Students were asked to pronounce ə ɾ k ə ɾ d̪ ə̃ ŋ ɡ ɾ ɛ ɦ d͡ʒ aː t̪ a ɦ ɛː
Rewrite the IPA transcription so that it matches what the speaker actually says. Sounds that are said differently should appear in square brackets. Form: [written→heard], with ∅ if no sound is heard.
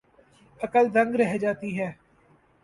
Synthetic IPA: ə [ɾ→∅] k ə [ɾ→l] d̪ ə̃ ŋ ɡ ɾ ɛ ɦ d͡ʒ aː t̪ [a→i] ɦ ɛː